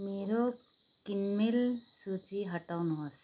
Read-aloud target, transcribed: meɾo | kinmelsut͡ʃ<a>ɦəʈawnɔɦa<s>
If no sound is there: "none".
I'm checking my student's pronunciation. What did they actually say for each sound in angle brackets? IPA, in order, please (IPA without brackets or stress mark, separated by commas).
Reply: i, s